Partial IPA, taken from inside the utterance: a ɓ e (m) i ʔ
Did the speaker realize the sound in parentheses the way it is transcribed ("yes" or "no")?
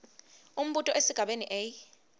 no